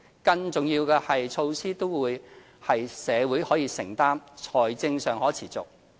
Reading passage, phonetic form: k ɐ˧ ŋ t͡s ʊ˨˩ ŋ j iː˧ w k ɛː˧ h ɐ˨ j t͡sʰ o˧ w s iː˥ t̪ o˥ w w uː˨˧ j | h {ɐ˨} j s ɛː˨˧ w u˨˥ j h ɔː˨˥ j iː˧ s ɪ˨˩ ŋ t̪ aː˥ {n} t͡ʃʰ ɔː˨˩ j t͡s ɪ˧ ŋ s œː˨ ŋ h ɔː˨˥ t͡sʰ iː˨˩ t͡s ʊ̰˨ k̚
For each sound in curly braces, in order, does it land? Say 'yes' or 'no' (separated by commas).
yes, no